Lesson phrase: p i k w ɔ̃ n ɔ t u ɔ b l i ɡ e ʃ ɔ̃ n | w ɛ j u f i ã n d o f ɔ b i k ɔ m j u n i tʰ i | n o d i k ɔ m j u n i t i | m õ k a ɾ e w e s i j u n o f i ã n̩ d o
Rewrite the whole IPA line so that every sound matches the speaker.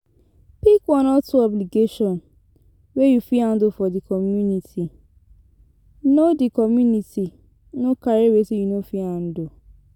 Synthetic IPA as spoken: p i k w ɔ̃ n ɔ t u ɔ b l i ɡ e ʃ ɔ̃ n | w e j u f i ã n d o f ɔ d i k ɔ m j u n i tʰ i | n o d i k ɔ m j u n i t i | n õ k a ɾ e w e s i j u n o f i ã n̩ d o